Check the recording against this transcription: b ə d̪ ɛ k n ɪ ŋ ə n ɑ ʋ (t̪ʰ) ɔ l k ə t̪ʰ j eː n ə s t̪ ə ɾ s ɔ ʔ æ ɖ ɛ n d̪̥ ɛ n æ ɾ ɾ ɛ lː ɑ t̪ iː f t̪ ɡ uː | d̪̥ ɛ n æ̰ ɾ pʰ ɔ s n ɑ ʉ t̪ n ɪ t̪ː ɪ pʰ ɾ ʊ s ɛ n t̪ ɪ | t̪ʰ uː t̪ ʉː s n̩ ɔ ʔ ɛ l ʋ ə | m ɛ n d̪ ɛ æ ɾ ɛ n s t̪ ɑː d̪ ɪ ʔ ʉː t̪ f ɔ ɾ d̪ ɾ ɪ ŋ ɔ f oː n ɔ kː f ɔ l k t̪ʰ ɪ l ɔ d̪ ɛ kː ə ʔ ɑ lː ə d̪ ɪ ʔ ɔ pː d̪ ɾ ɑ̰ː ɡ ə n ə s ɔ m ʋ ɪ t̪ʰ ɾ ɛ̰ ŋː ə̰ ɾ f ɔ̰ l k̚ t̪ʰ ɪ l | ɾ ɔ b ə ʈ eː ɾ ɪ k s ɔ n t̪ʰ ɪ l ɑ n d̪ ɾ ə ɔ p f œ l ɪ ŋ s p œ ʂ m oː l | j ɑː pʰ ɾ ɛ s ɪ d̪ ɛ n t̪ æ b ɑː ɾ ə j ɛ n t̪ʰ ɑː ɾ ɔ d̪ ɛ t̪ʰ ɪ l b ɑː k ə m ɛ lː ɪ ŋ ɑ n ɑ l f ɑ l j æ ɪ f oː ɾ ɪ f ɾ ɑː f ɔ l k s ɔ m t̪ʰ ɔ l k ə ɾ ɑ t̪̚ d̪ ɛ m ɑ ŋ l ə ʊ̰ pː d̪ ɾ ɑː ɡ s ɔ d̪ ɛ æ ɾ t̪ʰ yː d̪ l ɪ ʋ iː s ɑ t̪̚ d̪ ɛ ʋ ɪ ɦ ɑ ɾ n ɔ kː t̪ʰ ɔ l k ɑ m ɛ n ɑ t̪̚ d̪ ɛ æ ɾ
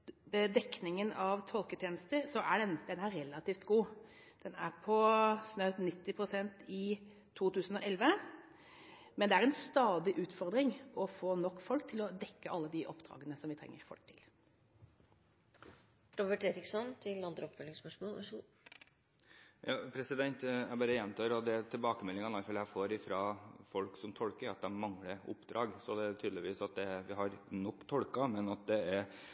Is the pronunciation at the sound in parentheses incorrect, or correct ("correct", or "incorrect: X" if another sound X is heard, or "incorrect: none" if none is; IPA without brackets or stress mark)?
correct